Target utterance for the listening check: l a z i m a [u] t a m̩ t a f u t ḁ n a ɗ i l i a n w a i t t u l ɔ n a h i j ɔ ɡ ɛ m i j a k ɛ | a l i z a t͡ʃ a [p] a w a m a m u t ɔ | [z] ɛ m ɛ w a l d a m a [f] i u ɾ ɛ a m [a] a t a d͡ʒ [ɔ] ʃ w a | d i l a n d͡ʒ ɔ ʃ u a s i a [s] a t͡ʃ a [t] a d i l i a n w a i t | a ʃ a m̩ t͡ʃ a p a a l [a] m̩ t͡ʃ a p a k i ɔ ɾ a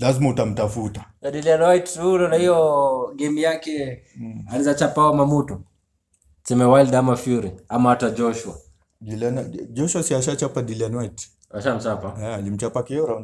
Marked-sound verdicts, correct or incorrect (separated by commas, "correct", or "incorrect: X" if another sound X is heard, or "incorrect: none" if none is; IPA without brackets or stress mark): correct, correct, incorrect: s, correct, correct, correct, incorrect: ʃ, incorrect: p, incorrect: i